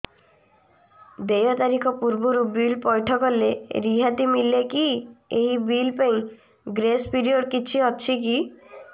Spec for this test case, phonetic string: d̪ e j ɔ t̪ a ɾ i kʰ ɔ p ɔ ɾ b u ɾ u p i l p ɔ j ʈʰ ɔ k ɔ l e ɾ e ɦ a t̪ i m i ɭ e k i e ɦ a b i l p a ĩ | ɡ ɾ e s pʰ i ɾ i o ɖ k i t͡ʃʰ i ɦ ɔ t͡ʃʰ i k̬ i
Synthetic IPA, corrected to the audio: d̪ e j ɔ t̪ a ɾ i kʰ ɔ p u ɾ b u ɾ u b i l p ɔ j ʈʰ ɔ k ɔ l e ɾ i ɦ a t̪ i m i l e k i e ɦ i b i l p a ĩ | ɡ ɾ e s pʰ i ɾ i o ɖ k i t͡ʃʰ i ɦ ɔ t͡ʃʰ i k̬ i